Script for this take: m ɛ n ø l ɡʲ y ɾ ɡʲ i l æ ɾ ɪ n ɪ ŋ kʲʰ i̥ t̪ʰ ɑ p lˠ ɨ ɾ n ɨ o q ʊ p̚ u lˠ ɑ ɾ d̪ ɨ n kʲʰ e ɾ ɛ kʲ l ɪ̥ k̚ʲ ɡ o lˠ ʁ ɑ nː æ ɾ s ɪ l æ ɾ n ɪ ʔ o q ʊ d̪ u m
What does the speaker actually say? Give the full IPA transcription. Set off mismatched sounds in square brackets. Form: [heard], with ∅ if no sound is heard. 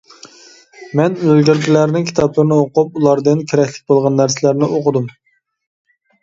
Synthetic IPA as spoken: m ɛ n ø l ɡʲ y ɾ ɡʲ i l æ ɾ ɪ n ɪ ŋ kʲʰ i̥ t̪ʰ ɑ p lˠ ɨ ɾ n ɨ o q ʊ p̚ u lˠ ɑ ɾ d̪ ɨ n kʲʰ e ɾ ɛ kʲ l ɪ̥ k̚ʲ [b] o lˠ ʁ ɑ nː æ ɾ s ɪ l æ ɾ n ɪ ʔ o q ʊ d̪ u m